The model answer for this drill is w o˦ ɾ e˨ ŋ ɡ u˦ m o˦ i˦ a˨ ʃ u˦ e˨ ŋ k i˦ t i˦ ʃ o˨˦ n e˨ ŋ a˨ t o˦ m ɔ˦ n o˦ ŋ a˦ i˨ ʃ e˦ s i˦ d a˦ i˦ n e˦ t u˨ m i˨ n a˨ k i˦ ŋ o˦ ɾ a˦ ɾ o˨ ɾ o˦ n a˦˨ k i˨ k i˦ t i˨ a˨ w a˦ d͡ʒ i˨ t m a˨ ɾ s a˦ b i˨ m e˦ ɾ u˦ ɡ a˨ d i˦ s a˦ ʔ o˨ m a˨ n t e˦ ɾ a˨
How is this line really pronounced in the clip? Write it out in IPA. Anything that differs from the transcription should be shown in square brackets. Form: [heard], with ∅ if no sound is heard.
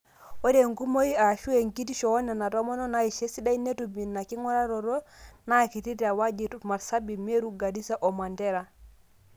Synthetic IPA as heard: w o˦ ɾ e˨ ŋ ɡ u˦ m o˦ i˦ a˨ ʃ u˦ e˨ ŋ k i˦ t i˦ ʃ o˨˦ n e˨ [n] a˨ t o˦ m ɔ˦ n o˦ [n] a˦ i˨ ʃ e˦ s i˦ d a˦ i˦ n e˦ t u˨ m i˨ n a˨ k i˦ ŋ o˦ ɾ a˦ ɾ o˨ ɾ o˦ n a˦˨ k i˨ [t] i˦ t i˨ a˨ w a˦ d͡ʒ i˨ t m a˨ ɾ s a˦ b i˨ m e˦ ɾ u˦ ɡ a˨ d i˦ s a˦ ʔ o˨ m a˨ n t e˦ ɾ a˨

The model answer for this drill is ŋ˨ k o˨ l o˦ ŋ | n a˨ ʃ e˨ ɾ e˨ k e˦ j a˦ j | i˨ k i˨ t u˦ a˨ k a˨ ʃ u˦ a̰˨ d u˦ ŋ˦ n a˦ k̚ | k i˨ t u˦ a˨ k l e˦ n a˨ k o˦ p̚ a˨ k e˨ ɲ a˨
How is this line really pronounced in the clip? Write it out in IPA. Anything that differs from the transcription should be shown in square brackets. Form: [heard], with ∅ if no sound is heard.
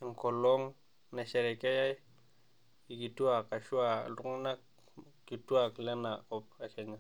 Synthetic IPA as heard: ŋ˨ k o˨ l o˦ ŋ | n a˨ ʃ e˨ ɾ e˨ k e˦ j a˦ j | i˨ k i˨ t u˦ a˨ k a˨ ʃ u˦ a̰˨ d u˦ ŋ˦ n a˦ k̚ | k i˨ t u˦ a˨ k l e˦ n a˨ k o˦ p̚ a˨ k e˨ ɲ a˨

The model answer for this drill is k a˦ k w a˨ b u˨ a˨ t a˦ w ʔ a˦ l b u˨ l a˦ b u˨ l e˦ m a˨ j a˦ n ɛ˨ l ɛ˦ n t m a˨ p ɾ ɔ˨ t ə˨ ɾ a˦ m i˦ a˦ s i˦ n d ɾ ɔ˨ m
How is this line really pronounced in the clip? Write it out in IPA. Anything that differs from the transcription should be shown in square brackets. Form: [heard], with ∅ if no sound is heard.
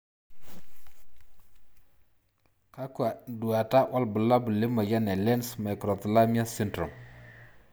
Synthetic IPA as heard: k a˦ k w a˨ [d] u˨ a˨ t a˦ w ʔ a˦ l b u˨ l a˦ b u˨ l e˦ m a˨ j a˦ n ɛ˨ l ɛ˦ n [s] m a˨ [k] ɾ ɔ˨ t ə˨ [l] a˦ m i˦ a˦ s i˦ n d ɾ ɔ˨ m

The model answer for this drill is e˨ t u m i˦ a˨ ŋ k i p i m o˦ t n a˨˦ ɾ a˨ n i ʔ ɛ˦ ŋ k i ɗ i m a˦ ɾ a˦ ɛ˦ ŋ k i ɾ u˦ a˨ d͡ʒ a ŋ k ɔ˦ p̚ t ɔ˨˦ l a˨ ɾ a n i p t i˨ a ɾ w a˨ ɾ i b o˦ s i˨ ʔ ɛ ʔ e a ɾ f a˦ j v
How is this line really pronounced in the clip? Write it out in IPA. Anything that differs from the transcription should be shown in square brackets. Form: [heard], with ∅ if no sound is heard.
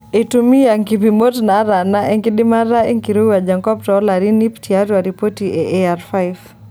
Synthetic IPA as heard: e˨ t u m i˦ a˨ ŋ k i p i m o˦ t n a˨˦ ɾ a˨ n [a] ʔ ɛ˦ ŋ k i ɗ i m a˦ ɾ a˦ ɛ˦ ŋ k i ɾ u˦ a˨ d͡ʒ a ŋ k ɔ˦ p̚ t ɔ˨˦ l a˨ ɾ [i] n i p t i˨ a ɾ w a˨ ɾ i [p] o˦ [t] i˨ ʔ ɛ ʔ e a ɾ f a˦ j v

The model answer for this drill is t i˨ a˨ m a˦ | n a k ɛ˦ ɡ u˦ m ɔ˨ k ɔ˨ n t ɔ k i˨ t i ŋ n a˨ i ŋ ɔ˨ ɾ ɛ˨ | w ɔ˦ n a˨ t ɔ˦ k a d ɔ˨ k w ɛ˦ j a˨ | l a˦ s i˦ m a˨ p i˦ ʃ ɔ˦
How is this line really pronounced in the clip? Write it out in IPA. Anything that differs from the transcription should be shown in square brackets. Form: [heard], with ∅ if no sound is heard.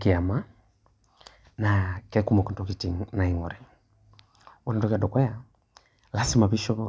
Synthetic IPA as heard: [k] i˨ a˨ m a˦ | n a k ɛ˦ [k] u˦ m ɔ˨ k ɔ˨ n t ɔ k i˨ t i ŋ n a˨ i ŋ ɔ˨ ɾ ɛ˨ | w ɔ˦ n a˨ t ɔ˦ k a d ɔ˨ k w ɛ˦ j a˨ | l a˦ s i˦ m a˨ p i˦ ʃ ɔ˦

